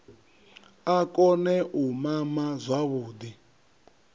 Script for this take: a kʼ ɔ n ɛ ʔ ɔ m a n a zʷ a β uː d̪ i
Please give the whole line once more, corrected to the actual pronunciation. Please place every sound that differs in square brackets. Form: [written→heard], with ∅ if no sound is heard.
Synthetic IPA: a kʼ ɔ n ɛ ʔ [ɔ→u] m a [n→m] a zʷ a β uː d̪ i